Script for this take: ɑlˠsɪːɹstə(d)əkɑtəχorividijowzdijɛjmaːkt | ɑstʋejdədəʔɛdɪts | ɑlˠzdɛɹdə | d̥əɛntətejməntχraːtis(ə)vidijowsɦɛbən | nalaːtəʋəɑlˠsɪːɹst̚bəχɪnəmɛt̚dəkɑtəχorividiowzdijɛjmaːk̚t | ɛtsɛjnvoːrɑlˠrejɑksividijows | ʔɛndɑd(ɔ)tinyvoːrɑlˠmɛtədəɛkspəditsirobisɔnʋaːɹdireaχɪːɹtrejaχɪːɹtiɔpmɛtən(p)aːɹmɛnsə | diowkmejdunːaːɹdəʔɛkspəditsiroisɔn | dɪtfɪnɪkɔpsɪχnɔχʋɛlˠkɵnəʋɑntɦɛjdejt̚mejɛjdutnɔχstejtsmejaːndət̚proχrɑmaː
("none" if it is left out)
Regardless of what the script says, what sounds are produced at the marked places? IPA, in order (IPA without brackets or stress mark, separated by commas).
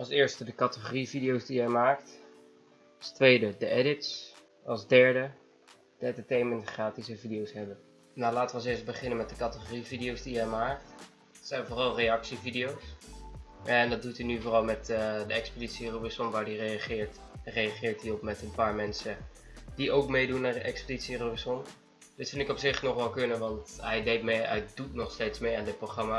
d, ə, u, p